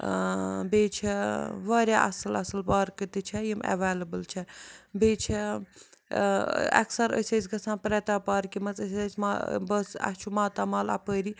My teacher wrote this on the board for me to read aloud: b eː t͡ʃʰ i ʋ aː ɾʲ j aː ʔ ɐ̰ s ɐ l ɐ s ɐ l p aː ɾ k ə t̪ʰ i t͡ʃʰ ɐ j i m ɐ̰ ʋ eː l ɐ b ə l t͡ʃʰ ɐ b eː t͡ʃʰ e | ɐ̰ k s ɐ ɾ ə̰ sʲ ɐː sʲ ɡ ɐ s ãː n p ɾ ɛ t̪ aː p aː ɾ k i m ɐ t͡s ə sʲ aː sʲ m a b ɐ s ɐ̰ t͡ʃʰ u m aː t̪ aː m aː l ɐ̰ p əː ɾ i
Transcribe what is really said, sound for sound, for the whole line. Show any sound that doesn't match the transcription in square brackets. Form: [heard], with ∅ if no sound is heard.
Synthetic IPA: b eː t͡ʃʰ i ʋ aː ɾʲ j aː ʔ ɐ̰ s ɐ l ɐ s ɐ l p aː ɾ k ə [t̪] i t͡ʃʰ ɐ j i m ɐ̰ ʋ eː l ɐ b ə l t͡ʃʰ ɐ b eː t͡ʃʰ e | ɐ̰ k s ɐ ɾ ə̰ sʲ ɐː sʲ ɡ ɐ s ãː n p ɾ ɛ t̪ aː p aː ɾ k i m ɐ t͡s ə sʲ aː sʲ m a b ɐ s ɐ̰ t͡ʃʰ u m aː t̪ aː m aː l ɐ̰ p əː ɾ i